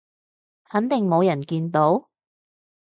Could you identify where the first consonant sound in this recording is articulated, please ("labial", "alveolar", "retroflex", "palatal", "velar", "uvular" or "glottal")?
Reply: glottal